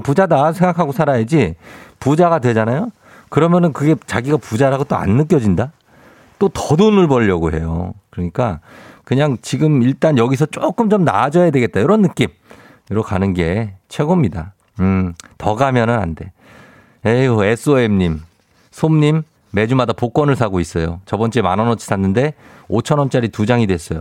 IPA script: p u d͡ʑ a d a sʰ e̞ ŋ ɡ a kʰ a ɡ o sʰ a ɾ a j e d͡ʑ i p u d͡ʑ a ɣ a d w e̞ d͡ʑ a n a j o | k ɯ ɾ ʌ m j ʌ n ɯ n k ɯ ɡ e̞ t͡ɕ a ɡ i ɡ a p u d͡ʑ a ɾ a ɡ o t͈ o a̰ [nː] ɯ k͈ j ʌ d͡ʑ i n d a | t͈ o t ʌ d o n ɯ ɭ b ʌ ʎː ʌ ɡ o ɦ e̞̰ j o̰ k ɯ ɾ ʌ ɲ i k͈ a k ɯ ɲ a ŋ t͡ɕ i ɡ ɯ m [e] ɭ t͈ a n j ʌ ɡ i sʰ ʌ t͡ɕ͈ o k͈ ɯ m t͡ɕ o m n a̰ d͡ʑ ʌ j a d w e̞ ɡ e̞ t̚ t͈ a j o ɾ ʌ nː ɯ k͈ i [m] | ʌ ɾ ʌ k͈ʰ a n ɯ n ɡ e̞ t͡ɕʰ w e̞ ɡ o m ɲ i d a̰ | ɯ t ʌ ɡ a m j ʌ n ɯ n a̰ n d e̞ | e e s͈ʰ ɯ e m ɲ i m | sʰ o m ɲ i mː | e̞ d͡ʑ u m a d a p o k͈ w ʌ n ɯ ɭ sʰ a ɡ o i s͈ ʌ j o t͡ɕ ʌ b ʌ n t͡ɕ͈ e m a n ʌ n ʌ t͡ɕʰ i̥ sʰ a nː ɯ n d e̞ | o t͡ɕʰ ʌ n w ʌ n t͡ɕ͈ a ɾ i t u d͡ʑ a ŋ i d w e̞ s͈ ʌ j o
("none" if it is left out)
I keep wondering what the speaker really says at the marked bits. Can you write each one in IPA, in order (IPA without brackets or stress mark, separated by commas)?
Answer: nː, i, m